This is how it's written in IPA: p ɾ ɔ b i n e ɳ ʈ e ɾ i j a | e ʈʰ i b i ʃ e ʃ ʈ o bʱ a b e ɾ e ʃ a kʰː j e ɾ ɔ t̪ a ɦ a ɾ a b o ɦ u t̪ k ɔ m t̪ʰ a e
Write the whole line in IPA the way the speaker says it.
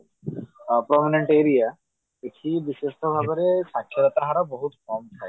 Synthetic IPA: p ɾ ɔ m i n e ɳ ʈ e ɾ i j a | e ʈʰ i b i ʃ e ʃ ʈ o bʱ a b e ɾ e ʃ a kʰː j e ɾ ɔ t̪ a ɦ a ɾ a b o ɦ u t̪ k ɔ m t̪ʰ a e